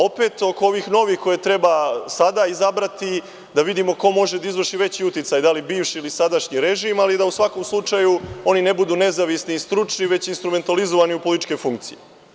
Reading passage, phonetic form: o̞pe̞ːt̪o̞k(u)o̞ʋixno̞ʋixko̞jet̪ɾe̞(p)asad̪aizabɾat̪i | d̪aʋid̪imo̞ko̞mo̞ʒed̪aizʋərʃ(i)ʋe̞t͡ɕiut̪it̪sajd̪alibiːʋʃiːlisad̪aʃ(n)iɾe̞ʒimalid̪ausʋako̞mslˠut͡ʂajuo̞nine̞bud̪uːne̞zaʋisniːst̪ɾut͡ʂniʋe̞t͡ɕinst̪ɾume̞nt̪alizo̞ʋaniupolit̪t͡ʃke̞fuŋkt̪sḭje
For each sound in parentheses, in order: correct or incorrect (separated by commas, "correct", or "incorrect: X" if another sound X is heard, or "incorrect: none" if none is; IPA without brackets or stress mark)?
incorrect: o, incorrect: b, correct, incorrect: ɲ